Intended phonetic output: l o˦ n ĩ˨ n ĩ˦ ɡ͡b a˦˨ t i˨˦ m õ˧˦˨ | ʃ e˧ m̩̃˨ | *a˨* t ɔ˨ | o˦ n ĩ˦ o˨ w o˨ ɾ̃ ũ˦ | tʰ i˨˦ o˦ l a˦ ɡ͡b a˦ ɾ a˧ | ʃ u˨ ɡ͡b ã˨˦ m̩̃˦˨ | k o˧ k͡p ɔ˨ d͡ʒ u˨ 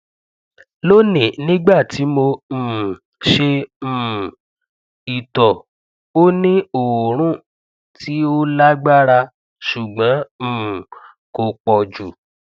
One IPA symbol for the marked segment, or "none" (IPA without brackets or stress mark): i˨